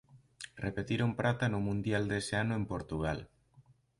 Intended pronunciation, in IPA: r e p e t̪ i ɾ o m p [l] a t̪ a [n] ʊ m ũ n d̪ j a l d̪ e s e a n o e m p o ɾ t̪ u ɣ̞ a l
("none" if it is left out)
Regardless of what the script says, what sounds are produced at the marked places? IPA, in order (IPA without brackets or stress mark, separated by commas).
ɾ, n